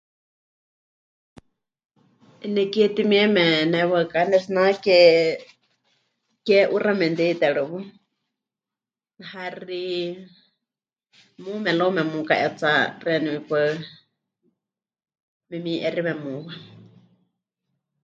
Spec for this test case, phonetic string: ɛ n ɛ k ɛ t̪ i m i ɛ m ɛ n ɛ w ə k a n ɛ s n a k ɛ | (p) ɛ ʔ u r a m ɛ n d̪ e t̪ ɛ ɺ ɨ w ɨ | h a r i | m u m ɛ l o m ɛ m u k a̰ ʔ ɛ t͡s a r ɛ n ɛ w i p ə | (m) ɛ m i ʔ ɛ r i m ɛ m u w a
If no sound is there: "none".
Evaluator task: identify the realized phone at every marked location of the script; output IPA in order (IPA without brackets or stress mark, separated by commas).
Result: k, m